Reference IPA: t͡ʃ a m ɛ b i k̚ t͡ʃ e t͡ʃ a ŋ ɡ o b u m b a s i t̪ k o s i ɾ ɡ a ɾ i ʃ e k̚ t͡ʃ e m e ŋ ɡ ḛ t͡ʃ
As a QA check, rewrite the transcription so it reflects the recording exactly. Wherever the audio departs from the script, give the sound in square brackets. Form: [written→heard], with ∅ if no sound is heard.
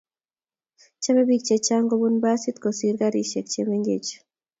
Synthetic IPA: t͡ʃ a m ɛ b i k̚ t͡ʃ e t͡ʃ a ŋ ɡ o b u [m→n] b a s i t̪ k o s i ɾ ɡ a ɾ i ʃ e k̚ t͡ʃ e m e ŋ ɡ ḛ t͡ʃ